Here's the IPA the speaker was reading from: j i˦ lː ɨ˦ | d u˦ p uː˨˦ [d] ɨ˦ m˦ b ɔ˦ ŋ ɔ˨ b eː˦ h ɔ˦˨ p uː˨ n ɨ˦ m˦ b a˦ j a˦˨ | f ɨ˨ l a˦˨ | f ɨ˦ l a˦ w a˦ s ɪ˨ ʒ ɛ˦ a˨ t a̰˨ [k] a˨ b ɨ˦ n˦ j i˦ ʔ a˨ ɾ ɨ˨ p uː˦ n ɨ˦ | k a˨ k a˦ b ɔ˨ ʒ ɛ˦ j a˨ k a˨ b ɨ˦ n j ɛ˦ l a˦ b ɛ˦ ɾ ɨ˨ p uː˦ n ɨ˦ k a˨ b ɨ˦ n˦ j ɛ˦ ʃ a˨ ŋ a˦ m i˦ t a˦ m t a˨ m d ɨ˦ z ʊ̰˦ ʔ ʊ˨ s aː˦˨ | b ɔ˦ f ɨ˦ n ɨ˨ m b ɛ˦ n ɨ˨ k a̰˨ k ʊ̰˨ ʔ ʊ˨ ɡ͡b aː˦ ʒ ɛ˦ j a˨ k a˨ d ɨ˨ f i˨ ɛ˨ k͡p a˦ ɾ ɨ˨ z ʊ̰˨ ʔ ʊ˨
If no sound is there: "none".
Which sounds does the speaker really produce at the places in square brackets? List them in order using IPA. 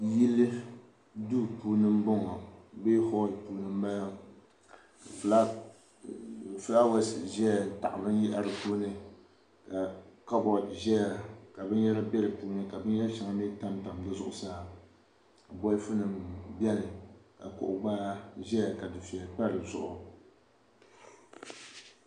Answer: n, ʔ

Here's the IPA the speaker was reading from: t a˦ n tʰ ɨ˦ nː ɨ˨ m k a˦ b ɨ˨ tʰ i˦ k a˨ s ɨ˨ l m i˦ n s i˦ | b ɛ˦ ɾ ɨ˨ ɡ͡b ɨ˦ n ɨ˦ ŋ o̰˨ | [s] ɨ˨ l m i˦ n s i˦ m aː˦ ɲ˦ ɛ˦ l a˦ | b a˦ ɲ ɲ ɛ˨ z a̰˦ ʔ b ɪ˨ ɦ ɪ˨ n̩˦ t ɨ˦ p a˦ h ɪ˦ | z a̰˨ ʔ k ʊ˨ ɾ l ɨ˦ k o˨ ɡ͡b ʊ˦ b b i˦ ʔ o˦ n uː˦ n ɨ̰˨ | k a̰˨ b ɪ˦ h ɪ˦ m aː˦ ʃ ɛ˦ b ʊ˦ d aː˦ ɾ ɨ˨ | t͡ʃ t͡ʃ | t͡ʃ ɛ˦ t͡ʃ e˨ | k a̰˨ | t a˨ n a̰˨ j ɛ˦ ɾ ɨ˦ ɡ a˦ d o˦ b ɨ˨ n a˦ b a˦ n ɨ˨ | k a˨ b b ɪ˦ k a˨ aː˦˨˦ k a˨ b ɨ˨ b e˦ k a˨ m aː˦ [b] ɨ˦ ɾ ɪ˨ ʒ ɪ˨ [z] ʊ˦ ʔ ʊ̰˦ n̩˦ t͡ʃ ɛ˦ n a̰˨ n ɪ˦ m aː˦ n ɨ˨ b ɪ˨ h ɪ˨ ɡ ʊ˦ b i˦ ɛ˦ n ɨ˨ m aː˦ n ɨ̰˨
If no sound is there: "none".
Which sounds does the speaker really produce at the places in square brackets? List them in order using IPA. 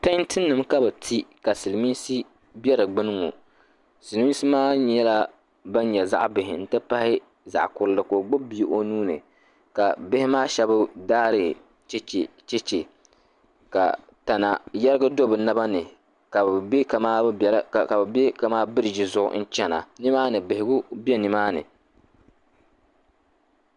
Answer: s, b, z

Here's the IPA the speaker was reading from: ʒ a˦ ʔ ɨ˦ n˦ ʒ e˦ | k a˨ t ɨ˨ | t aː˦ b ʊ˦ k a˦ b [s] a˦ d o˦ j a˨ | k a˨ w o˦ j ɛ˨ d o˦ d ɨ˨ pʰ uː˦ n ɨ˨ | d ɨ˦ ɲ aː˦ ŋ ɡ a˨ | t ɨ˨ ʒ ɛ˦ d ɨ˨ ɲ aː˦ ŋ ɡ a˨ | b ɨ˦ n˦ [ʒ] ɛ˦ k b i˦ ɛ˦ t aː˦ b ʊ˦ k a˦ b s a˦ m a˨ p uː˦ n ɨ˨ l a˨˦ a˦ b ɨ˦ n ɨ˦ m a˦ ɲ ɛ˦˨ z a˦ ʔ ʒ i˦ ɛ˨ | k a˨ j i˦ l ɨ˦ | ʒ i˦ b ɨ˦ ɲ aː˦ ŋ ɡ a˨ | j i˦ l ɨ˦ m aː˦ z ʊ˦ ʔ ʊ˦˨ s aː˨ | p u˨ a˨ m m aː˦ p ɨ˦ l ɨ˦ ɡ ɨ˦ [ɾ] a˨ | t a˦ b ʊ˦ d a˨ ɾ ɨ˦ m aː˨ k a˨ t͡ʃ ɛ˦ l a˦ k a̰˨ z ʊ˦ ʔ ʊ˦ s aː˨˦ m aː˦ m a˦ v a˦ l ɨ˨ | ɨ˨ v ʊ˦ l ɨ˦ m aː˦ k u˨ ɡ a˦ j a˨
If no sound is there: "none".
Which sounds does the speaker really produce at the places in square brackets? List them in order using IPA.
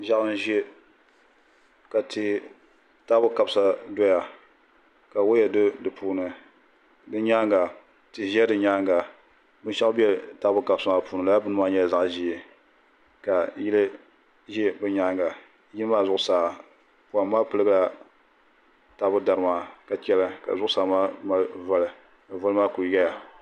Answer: s, ʃ, l

